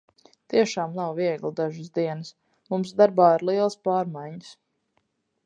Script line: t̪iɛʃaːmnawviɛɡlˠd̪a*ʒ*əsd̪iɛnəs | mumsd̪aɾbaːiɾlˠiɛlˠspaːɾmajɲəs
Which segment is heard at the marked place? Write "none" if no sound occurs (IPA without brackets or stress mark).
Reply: ʒ